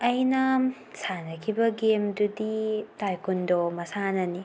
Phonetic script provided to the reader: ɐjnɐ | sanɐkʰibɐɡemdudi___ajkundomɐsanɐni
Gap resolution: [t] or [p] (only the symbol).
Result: t